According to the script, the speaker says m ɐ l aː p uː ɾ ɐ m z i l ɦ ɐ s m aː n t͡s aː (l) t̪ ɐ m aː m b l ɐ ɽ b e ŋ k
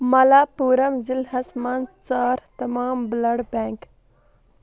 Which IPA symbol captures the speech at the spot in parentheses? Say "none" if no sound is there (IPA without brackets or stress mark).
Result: ɾ